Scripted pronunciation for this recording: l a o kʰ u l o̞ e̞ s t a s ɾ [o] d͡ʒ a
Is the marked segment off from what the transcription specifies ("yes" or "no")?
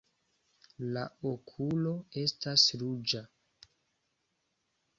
yes